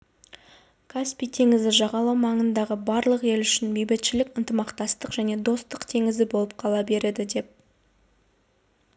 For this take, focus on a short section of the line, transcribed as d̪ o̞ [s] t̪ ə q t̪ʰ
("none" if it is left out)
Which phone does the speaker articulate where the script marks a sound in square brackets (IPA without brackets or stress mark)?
s